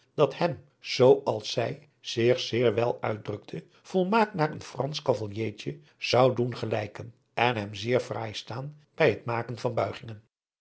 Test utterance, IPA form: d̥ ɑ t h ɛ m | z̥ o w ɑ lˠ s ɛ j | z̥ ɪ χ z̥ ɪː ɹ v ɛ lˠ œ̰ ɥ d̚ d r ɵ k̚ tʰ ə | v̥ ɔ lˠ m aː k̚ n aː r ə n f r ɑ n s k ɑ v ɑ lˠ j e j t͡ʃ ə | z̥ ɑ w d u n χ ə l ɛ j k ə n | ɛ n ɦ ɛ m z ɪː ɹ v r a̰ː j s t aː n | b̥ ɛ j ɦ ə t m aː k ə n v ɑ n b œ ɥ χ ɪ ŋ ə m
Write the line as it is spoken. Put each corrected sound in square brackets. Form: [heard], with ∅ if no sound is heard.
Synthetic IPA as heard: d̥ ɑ t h ɛ m | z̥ o w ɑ lˠ s ɛ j | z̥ ɪ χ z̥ ɪː ɹ [ʋ] ɛ lˠ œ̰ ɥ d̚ d r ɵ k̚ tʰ ə | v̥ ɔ lˠ m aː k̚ n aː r ə n f r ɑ n s k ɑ v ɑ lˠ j e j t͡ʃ ə | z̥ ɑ w d u n χ ə l ɛ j k ə n | ɛ n ɦ ɛ m z ɪː ɹ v r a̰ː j s t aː n | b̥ ɛ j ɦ ə t m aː k ə n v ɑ n b œ ɥ χ ɪ ŋ ə [n]